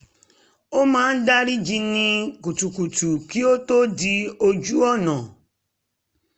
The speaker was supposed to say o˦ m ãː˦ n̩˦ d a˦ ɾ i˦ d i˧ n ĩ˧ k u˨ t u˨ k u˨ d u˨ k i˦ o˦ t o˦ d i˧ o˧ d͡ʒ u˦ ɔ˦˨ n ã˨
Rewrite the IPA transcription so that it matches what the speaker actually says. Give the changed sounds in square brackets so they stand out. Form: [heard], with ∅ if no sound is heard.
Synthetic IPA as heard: o˦ m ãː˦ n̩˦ d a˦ ɾ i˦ [d͡ʒ] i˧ n ĩ˧ k u˨ t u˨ k u˨ [t] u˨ k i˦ o˦ t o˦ d i˧ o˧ d͡ʒ u˦ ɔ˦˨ n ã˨